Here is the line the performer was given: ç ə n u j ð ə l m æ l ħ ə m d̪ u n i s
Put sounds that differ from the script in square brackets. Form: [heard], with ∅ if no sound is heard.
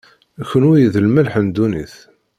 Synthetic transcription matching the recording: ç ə n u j ð ə l m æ l ħ ə [n] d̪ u n i [θ]

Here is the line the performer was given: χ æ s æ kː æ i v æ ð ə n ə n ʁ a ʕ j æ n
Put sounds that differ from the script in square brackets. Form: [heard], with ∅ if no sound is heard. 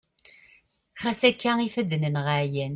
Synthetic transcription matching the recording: χ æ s æ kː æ i [f] æ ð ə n ə n ʁ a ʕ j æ n

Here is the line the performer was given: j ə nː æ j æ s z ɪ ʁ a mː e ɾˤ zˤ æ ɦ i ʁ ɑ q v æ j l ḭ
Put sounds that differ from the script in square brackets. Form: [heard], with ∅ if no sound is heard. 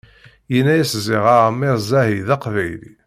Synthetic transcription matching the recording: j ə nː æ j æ s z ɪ ʁ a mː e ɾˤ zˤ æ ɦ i [ð] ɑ q v æ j l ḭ

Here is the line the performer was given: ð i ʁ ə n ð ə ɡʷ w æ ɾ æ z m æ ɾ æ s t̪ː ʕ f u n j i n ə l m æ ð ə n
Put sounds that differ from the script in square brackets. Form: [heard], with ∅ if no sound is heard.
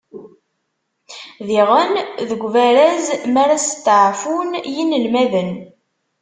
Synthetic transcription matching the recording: ð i ʁ ə n ð ə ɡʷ [v] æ ɾ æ z m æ ɾ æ s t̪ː ʕ f u n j i n ə l m æ ð ə n

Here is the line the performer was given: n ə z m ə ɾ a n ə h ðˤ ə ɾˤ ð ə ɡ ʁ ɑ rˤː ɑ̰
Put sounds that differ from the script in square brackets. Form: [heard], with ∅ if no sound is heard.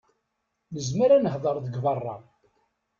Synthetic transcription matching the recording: n ə z m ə ɾ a n ə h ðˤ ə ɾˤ ð ə ɡ [v] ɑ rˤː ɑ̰

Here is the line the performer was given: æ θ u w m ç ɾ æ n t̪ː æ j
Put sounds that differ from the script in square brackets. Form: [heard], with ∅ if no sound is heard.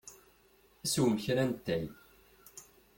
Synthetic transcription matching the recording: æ [s] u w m ç ɾ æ n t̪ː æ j

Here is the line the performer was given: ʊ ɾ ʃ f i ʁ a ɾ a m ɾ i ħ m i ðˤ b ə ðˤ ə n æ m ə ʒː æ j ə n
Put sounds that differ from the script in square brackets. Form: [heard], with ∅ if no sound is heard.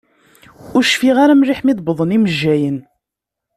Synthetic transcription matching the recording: ʊ ɾ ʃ f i ʁ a ɾ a m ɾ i ħ m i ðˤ b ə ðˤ ə n [i] m ə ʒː æ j ə n

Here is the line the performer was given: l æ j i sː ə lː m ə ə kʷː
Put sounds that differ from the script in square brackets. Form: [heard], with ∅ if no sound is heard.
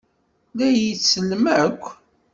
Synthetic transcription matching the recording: l æ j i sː ə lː m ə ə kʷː

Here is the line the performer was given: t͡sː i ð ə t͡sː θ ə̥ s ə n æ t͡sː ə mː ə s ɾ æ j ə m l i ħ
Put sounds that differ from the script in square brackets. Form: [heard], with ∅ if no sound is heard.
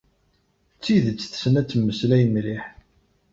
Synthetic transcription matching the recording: t͡sː i ð ə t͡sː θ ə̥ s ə n æ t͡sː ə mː ə s [l] æ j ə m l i ħ

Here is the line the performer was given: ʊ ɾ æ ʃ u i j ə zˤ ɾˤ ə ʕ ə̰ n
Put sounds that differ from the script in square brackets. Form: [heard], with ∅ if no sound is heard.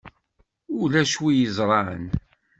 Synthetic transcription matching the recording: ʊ [l] æ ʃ [w] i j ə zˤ ɾˤ [ɑ] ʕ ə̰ n

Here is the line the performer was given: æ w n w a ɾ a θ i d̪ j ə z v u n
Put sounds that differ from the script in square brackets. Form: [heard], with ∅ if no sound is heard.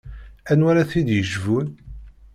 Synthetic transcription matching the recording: æ [∅] n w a ɾ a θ i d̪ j ə [ʒ] v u n

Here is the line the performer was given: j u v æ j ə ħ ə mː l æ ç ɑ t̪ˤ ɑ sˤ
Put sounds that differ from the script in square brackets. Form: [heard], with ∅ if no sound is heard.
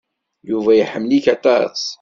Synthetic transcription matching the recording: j u v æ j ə ħ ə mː l [i] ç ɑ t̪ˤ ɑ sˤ

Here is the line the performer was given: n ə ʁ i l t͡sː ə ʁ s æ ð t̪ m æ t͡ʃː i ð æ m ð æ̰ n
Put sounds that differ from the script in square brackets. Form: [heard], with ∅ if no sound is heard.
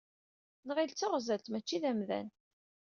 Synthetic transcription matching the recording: n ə ʁ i l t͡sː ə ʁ [z] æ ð t̪ m æ t͡ʃː i ð æ m ð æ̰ n

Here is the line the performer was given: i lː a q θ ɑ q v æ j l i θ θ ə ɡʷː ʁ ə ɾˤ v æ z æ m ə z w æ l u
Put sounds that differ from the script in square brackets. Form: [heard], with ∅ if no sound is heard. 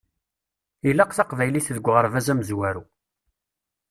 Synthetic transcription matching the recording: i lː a q θ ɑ q v æ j l i θ [ð] ə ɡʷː ʁ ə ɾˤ v æ z æ m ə z w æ [ɾ] u

